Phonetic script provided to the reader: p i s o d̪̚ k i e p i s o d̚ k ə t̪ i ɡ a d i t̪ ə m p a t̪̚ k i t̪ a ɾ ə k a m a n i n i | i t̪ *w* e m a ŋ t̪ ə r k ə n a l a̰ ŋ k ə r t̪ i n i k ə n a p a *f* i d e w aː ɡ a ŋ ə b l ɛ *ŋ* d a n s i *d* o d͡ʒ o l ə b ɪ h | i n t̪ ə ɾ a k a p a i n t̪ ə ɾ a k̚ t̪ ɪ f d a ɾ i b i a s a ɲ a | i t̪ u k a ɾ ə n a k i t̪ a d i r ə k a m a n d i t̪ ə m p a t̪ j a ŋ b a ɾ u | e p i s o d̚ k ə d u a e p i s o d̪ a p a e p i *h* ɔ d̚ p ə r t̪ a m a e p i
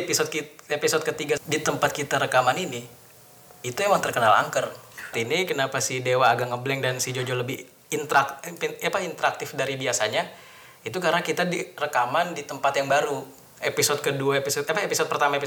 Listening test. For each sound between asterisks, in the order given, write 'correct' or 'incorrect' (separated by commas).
incorrect, incorrect, correct, incorrect, incorrect